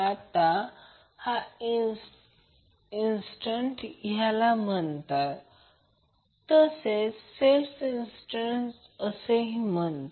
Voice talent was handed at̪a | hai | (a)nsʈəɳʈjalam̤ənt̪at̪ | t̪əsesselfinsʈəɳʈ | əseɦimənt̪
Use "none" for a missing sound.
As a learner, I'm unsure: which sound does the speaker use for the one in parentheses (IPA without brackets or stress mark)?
i